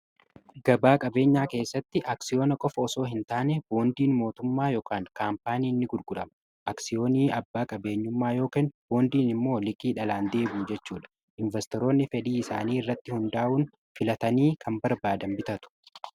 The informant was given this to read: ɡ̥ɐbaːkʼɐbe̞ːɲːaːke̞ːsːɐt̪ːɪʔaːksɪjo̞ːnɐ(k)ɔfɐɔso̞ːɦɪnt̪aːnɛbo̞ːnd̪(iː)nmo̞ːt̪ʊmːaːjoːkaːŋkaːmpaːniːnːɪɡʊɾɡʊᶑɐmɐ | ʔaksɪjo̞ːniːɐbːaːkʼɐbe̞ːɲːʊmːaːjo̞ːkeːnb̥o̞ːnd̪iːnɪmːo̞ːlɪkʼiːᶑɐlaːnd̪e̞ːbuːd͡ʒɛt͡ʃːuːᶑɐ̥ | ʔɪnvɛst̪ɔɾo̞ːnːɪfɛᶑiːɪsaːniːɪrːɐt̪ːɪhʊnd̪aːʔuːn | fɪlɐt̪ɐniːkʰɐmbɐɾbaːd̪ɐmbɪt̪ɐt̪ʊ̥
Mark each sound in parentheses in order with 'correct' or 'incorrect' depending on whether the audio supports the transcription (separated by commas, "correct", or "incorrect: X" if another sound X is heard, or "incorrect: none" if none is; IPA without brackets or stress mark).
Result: incorrect: kʼ, correct